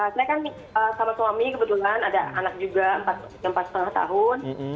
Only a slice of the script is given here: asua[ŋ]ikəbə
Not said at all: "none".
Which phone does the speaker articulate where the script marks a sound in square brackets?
m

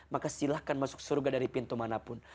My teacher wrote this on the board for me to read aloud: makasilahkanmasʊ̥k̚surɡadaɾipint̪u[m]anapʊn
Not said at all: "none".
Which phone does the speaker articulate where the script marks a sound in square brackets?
m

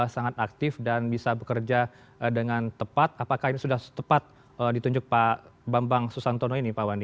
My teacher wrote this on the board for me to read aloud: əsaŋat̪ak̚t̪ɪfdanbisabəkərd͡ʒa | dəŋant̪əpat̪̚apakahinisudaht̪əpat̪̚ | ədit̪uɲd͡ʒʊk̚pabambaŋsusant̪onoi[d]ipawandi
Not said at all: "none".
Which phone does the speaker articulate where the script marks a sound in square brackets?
n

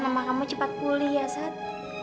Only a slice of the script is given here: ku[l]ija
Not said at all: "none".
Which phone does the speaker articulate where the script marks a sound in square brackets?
l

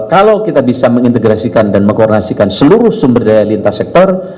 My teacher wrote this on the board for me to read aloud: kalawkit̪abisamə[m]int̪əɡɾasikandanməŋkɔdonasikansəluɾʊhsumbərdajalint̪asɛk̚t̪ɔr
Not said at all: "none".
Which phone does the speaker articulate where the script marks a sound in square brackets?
ŋ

